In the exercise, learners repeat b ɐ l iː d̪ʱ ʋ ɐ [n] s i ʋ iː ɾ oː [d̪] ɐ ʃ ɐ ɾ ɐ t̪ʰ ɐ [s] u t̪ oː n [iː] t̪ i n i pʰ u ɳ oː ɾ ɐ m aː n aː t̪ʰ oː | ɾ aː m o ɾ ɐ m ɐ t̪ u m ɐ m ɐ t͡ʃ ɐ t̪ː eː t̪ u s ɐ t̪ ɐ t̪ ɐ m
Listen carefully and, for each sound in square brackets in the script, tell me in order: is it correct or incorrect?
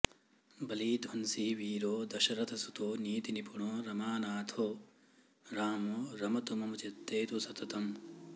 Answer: correct, correct, correct, correct

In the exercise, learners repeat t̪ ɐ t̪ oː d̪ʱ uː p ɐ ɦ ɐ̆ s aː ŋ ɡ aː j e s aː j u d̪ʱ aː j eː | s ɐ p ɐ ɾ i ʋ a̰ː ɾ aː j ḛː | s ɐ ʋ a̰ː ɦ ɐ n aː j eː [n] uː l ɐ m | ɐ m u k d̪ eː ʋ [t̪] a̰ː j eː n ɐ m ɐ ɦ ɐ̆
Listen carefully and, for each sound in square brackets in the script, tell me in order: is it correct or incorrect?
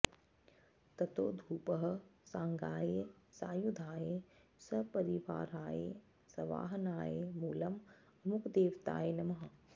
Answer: incorrect, correct

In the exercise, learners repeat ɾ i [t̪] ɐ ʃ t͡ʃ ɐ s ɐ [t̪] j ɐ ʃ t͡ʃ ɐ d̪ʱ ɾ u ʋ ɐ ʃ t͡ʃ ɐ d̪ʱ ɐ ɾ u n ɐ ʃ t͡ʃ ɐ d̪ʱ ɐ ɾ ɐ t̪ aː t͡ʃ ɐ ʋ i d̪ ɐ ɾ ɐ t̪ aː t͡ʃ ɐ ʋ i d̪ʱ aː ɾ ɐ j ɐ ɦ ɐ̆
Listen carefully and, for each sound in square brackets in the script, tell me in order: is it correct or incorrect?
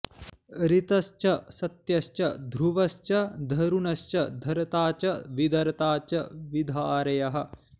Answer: correct, correct

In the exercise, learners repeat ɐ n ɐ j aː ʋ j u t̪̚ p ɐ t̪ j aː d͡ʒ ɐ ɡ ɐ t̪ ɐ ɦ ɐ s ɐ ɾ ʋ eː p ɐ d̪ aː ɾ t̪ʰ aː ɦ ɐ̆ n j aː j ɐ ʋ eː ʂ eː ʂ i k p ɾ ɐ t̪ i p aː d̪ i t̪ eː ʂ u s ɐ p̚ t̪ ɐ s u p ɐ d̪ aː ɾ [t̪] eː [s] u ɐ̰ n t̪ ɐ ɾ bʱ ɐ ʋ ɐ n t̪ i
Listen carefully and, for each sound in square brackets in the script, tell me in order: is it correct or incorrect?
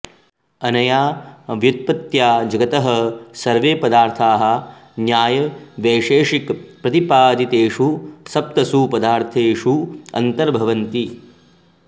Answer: incorrect, incorrect

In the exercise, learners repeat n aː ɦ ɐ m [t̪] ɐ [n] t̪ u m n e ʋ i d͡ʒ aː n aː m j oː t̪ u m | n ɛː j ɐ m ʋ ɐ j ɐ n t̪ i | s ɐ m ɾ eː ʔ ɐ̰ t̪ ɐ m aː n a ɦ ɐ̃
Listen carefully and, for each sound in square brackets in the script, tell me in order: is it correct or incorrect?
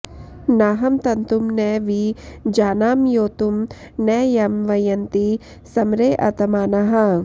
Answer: correct, correct

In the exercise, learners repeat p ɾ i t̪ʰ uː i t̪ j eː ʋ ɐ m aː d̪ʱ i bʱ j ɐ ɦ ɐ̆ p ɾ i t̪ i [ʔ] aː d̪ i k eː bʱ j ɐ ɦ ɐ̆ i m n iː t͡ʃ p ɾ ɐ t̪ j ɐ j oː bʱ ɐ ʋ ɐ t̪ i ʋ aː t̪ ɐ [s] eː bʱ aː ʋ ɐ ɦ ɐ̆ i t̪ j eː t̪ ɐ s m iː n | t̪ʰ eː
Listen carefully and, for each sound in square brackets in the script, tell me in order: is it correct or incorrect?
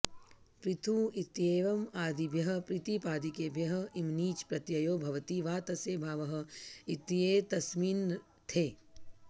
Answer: incorrect, correct

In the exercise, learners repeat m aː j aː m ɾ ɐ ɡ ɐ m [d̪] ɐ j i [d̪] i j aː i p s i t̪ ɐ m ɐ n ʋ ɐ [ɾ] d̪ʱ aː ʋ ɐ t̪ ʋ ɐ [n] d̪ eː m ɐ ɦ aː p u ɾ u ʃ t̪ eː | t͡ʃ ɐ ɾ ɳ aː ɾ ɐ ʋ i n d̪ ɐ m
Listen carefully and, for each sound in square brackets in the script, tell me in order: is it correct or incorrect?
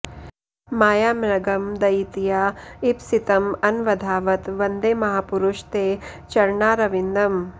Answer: correct, incorrect, incorrect, correct

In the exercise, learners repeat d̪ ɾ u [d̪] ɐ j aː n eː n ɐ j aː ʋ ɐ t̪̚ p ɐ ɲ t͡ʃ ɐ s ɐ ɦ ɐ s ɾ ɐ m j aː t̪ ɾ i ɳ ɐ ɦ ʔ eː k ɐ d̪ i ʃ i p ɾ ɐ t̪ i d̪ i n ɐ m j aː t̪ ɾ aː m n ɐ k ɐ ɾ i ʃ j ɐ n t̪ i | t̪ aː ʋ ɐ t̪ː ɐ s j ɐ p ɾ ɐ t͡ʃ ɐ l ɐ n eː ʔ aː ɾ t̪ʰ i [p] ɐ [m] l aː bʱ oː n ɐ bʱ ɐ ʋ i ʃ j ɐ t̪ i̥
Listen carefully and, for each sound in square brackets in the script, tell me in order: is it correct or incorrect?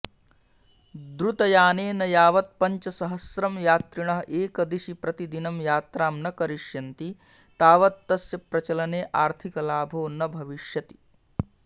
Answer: incorrect, incorrect, incorrect

